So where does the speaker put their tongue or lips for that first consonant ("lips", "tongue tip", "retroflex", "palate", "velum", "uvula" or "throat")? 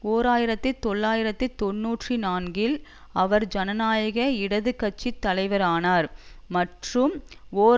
tongue tip